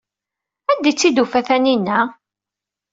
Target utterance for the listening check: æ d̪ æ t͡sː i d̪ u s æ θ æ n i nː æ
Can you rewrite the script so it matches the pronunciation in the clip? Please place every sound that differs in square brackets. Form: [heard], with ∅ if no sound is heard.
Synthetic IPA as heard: æ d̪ [i] t͡sː i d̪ u [f] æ θ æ n i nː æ